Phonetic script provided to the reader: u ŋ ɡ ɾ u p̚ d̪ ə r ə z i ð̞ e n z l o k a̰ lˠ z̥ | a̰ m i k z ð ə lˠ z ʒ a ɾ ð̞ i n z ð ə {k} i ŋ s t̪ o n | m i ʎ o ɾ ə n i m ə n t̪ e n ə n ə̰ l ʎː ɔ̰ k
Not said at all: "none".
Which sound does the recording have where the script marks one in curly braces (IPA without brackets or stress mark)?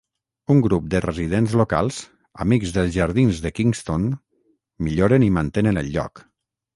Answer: k